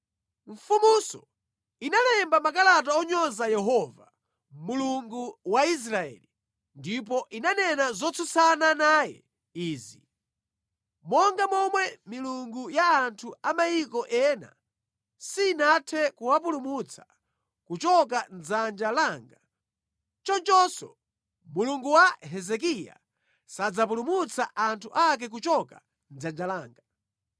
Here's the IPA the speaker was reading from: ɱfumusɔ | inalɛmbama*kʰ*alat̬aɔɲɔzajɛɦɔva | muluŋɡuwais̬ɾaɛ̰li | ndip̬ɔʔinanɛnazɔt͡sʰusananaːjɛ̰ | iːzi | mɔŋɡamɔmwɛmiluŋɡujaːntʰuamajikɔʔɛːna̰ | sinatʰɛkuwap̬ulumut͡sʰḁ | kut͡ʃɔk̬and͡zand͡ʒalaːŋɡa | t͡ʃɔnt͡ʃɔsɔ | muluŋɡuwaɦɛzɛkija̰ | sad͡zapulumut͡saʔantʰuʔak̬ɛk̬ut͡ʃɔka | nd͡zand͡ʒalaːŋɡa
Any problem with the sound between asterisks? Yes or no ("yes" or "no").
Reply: yes